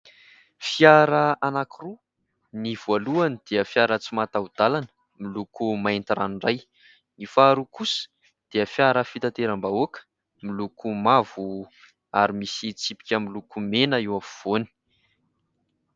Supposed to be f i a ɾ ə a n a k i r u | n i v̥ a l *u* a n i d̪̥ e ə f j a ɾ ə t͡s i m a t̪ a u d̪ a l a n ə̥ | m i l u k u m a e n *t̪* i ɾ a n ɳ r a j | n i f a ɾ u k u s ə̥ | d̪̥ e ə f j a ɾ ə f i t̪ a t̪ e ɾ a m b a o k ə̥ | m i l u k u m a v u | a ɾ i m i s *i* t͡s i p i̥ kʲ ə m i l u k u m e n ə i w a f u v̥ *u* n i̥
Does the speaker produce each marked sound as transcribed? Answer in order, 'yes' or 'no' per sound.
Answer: yes, yes, yes, no

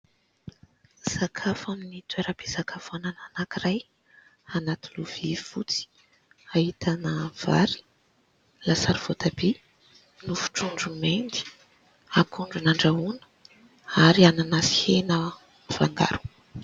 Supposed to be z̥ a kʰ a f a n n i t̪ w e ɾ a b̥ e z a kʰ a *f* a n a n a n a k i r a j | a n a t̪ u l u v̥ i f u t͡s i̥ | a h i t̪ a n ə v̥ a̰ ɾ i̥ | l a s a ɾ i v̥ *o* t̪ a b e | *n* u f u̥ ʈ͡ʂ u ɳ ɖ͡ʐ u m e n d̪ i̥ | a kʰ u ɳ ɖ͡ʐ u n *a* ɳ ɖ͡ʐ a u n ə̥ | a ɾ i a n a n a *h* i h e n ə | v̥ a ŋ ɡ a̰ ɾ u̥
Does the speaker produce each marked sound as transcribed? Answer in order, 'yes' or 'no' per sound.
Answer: yes, yes, yes, yes, no

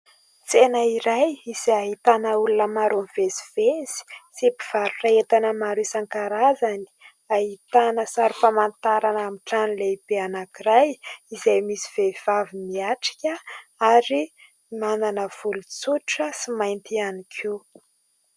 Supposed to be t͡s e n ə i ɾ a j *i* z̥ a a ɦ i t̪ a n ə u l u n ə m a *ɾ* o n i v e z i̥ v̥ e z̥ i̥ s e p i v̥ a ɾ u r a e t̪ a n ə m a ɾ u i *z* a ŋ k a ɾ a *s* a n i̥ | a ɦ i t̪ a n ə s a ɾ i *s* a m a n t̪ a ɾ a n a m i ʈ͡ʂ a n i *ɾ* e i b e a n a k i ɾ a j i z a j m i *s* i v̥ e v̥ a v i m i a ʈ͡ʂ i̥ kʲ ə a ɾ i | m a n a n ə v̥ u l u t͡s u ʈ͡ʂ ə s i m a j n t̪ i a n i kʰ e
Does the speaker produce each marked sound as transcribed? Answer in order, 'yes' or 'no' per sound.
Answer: yes, yes, no, no, no, no, yes

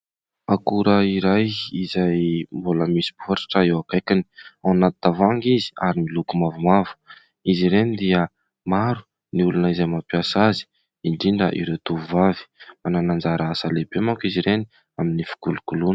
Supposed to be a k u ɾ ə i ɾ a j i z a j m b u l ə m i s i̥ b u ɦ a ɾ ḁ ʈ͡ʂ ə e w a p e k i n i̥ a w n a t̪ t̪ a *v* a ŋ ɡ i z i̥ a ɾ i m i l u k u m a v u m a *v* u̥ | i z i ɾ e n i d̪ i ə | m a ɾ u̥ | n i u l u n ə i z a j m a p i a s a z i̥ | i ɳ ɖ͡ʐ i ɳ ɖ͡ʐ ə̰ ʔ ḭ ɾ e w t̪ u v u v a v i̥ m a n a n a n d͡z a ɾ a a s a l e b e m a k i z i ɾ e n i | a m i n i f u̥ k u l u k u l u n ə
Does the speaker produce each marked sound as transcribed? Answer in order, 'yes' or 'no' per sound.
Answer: yes, yes

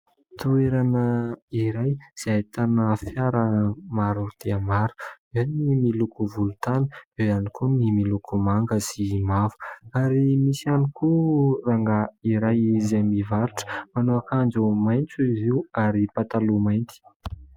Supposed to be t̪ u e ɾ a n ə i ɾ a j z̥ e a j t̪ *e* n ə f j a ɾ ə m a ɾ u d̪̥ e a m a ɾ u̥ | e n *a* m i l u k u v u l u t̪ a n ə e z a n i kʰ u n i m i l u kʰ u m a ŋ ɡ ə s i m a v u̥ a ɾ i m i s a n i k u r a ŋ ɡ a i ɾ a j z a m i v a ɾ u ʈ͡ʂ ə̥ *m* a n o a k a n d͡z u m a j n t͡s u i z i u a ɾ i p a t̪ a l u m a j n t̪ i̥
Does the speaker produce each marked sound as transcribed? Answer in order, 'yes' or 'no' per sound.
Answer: no, no, yes

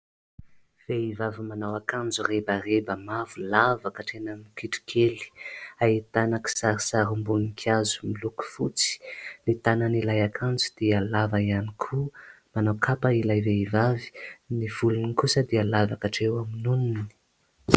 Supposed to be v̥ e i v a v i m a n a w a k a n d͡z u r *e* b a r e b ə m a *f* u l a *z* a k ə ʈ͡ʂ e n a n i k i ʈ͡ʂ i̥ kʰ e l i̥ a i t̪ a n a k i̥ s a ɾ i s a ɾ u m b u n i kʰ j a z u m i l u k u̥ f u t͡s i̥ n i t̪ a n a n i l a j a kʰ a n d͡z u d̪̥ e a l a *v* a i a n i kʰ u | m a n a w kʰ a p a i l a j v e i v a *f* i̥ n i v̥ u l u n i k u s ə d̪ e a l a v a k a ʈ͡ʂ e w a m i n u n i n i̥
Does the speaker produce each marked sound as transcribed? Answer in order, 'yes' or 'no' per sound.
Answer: yes, no, no, yes, no

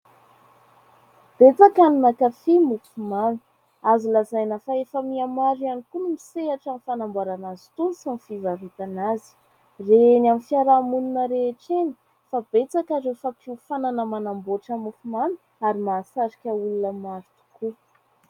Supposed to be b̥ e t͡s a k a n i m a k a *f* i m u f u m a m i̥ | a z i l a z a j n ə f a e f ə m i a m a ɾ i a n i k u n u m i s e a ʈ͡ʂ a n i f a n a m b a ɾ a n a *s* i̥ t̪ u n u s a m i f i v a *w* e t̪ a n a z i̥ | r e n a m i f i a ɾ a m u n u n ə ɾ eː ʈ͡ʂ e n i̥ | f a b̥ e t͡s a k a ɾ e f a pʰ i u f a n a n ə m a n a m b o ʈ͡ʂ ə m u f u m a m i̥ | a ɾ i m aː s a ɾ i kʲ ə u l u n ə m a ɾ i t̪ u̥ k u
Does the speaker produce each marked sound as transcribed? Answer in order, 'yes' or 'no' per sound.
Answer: yes, no, no

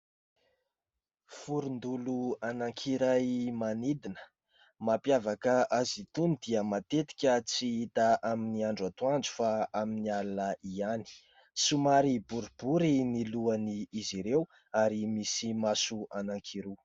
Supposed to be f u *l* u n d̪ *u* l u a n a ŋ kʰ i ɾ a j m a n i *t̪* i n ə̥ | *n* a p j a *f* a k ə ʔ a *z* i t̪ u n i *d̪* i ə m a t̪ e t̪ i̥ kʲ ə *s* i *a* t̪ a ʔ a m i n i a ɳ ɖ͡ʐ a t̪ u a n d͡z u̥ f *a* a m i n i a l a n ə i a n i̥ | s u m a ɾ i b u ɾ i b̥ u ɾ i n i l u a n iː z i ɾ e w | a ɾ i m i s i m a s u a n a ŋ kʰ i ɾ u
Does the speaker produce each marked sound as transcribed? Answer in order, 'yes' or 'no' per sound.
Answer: no, yes, no, no, no, yes, yes, no, no, yes

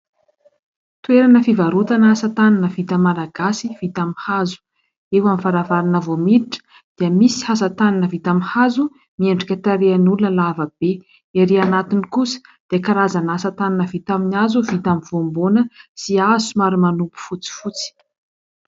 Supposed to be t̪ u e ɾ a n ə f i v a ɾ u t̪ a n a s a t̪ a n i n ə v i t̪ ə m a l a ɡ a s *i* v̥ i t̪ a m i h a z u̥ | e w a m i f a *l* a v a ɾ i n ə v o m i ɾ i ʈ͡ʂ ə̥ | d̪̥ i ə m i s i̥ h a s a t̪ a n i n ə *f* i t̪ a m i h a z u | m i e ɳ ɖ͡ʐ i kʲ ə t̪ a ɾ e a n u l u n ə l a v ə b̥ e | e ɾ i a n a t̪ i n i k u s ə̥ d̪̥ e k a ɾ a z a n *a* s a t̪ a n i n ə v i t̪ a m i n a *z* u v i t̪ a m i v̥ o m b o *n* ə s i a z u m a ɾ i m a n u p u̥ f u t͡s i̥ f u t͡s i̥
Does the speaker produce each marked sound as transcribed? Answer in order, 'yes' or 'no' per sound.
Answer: yes, no, no, yes, yes, yes

